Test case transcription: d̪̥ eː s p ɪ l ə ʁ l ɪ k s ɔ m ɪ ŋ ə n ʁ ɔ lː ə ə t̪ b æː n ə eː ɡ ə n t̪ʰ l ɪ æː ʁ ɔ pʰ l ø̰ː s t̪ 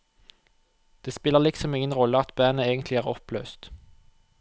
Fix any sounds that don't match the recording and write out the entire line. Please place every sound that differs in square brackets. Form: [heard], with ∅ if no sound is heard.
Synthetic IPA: d̪̥ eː s p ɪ l ə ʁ l ɪ k s ɔ m ɪ ŋ ə n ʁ ɔ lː ə [ɑ] t̪ b æː n ə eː ɡ ə n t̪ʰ l ɪ æː ʁ ɔ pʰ l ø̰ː s t̪

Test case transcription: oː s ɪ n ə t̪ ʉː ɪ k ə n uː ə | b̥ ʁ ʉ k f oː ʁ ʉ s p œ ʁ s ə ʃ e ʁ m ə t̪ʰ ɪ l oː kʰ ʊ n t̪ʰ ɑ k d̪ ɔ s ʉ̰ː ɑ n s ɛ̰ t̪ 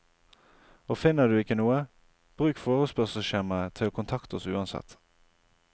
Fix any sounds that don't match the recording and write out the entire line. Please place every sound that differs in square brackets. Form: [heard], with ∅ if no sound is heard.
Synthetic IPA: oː [f] ɪ n ə [d̪] ʉː ɪ k ə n uː ə | b̥ ʁ [ʉː] k f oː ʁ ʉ s p œ ʁ s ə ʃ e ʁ m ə t̪ʰ ɪ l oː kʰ ʊ n t̪ʰ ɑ k [t̪] ɔ s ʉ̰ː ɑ n s ɛ̰ t̪

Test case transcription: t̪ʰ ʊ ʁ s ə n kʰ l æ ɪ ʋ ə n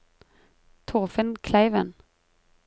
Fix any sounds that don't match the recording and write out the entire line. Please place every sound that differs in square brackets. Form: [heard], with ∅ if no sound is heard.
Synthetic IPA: t̪ʰ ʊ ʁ [f] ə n kʰ l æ ɪ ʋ ə n

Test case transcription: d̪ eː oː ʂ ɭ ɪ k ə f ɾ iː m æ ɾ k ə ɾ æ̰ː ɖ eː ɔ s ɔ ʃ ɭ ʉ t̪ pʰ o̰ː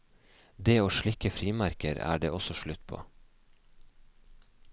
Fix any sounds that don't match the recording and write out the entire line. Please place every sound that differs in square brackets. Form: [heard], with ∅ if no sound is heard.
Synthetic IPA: d̪ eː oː [ʃ] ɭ ɪ k ə f ɾ iː m æ ɾ k ə ɾ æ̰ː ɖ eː ɔ s ɔ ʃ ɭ ʉ t̪ pʰ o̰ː

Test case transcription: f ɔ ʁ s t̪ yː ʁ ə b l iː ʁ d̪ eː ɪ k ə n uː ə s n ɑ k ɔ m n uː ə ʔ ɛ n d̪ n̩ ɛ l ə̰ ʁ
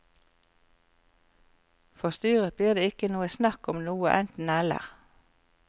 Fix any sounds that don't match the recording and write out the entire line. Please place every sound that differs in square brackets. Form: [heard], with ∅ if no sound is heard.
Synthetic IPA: f ɔ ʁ s t̪ yː ʁ ə b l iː ʁ d̪ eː ɪ k ə n uː ə s n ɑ k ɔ m n uː ə ʔ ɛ n [t̪] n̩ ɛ l ə̰ ʁ

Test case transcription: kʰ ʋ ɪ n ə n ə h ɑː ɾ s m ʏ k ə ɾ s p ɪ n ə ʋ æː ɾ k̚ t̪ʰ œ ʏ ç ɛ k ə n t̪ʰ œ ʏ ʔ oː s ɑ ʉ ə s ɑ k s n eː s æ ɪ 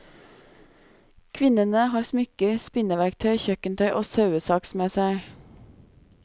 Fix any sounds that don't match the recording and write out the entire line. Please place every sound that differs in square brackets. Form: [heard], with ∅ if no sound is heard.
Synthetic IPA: kʰ ʋ ɪ n ə n ə h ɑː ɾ s m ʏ k ə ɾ s p ɪ n ə ʋ [æ] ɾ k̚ t̪ʰ œ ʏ ç [œ] k ə n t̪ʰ œ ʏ ʔ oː s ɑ ʉ ə s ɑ k s [m] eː s æ ɪ

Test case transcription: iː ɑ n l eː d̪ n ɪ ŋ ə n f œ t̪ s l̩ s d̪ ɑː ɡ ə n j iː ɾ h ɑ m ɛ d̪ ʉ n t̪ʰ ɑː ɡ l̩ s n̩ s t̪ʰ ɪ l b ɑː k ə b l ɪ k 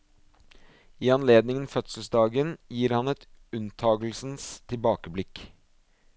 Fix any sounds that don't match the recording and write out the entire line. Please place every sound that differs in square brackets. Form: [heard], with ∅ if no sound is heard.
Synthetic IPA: iː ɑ n l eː d̪ n ɪ ŋ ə n f œ t̪ s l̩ s d̪ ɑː ɡ ə n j iː ɾ h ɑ [n] ɛ [t̪] ʉ n t̪ʰ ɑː ɡ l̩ s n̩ s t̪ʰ ɪ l b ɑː k ə b l ɪ k

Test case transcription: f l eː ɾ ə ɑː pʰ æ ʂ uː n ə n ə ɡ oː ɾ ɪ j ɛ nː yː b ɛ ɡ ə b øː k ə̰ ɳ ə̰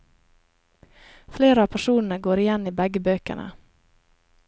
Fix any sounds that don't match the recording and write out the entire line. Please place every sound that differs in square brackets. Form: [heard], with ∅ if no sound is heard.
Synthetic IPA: f l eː ɾ ə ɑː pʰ æ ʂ uː n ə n ə ɡ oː ɾ ɪ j ɛ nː [iː] b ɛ ɡ ə b øː k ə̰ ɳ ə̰

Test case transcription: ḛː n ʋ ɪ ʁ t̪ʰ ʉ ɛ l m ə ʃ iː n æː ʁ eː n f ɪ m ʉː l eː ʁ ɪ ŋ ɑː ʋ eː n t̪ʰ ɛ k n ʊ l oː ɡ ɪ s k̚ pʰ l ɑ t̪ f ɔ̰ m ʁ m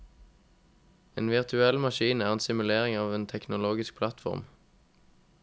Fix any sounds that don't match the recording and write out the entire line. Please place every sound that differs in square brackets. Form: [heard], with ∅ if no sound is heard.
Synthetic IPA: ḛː n ʋ ɪ ʁ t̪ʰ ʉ ɛ l m [ɑ] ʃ iː n æː ʁ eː n [s] ɪ m [ʉ] l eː ʁ ɪ ŋ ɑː ʋ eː n t̪ʰ ɛ k n ʊ l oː ɡ ɪ s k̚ pʰ l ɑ t̪ f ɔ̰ [∅] ʁ m

